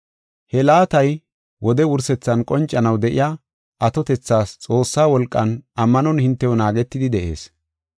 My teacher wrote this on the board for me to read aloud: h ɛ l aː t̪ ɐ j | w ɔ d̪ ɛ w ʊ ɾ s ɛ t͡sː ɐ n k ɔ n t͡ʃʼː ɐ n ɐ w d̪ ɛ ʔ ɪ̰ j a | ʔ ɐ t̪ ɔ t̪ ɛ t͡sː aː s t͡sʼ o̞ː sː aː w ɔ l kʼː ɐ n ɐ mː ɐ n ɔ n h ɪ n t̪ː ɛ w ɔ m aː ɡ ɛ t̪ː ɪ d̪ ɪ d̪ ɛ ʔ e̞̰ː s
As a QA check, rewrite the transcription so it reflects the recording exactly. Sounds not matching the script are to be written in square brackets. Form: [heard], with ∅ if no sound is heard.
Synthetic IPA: h ɛ l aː t̪ ɐ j | w ɔ d̪ ɛ w ʊ ɾ s ɛ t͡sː ɐ n [kʼ] ɔ n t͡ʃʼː ɐ n ɐ w d̪ ɛ ʔ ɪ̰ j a | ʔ ɐ t̪ ɔ t̪ ɛ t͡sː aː s t͡sʼ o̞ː sː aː w ɔ l kʼː ɐ n ɐ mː ɐ n ɔ n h ɪ n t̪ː ɛ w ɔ [n] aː ɡ ɛ t̪ː ɪ d̪ ɪ d̪ ɛ ʔ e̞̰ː s